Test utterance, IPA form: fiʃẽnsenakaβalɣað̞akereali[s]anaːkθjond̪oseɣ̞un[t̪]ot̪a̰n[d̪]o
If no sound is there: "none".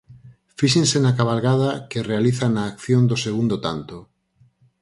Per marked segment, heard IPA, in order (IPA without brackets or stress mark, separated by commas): θ, d̪, t̪